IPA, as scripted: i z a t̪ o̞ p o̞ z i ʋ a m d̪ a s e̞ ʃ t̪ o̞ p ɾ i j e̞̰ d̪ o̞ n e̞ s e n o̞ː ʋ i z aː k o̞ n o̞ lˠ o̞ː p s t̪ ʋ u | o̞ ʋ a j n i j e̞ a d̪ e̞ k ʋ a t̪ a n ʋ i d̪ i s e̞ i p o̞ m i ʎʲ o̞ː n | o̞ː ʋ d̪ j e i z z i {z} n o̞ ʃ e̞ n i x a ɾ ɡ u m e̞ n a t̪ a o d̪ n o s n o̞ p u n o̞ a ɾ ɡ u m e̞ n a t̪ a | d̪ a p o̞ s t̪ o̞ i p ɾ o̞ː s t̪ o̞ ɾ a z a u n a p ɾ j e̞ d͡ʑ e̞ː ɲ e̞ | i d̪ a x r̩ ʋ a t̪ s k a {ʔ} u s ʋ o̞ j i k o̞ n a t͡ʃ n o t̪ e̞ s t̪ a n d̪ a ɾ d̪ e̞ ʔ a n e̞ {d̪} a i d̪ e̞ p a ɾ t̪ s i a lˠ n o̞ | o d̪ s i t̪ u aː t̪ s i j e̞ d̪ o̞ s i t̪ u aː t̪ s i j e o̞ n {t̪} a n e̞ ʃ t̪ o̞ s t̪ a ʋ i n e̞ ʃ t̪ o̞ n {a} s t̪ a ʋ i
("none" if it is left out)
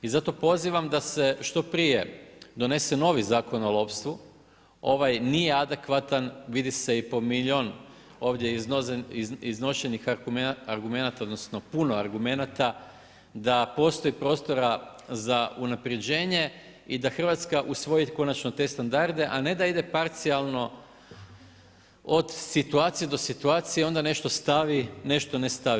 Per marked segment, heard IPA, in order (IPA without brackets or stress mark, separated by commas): z, ʔ, d̪, d̪, e